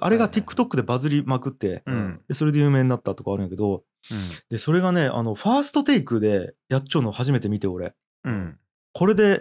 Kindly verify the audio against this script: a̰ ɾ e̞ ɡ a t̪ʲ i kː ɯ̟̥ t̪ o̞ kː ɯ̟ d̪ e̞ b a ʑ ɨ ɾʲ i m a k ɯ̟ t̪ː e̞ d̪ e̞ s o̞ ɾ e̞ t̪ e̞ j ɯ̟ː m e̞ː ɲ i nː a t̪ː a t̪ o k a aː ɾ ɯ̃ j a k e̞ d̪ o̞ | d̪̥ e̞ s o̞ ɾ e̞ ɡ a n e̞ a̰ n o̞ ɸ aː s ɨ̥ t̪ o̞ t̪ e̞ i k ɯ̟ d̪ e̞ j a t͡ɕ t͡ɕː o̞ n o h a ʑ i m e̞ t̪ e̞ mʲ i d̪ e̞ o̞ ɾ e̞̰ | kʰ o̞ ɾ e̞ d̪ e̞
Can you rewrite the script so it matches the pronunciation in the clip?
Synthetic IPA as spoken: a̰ ɾ e̞ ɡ a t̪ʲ i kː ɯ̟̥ t̪ o̞ kː ɯ̟ d̪ e̞ b a z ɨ ɾʲ i m a k ɯ̟ t̪ː e̞ d̪ e̞ s o̞ ɾ e̞ d̪ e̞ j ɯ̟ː m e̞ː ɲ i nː a t̪ː a t̪ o k a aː ɾ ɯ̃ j a k e̞ d̪ o̞ | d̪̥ e̞ s o̞ ɾ e̞ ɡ a n e̞ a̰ n o̞ ɸ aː s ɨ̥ t̪ o̞ t̪ e̞ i k ɯ̟ d̪ e̞ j a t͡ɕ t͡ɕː o̞ n o h a ʑ i m e̞ t̪ e̞ mʲ i t̪ e̞ o̞ ɾ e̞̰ | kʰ o̞ ɾ e̞ d̪ e̞